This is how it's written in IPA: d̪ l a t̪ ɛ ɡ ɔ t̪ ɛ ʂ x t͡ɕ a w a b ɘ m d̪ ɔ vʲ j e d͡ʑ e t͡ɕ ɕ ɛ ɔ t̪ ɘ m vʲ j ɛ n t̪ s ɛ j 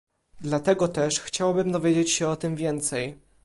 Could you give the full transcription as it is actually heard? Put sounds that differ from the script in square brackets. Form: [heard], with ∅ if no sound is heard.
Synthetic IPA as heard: d̪ l a t̪ ɛ ɡ ɔ t̪ ɛ ʂ x t͡ɕ a w a b ɘ m d̪ ɔ vʲ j e d͡ʑ e t͡ɕ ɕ ɛ ɔ t̪ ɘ m vʲ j ɛ n t̪ s ɛ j